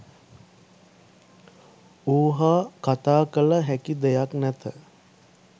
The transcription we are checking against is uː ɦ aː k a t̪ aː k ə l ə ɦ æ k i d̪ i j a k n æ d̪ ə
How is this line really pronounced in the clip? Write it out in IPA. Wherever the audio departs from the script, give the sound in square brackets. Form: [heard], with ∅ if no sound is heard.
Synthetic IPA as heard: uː ɦ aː k a t̪ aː k ə l ə ɦ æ k i d̪ [e] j a k n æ [t̪] ə

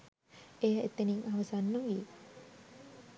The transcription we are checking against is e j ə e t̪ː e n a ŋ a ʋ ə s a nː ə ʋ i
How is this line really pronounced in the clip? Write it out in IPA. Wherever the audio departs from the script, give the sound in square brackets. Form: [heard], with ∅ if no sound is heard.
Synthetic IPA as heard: e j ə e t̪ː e n [i] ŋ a ʋ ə s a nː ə ʋ i

